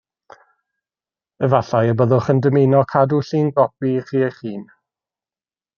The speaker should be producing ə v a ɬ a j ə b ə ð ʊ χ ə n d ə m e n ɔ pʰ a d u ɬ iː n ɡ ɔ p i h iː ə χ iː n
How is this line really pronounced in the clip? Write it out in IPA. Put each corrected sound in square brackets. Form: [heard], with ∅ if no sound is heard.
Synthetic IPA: ə v a ɬ a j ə b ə ð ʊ χ ə n d ə m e n ɔ [kʰ] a d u ɬ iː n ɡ ɔ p i [χ] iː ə χ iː n